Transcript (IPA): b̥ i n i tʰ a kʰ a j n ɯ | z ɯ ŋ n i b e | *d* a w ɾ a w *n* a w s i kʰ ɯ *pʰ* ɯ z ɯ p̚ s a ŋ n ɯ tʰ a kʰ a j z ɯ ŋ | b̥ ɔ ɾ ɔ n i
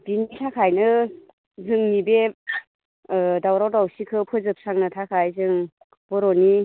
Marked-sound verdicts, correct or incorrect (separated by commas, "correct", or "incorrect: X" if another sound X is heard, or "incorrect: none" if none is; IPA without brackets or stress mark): correct, incorrect: d, correct